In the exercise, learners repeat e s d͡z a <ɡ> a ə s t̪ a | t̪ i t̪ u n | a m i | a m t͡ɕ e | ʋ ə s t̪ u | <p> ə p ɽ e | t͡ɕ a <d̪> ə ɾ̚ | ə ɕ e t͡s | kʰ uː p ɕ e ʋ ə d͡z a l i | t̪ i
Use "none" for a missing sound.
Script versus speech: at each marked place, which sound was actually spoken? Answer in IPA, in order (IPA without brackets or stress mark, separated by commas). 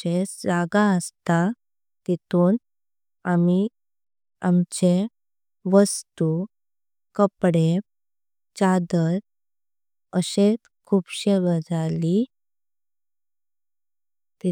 ɡ, k, d̪